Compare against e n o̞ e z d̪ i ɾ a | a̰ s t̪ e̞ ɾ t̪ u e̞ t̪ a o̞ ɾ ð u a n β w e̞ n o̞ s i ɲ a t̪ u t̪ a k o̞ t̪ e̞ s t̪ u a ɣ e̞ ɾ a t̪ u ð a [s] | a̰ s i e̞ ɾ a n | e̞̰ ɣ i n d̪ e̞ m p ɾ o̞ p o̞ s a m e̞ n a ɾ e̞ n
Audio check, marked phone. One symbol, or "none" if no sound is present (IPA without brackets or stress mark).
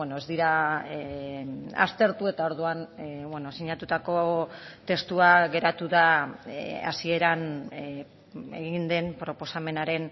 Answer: none